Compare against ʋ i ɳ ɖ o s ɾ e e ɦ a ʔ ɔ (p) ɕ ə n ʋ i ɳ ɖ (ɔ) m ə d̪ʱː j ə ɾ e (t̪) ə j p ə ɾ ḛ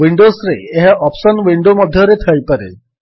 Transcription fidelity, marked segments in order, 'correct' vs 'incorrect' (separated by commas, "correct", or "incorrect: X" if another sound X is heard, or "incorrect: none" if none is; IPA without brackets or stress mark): correct, incorrect: o, incorrect: t̪ʰ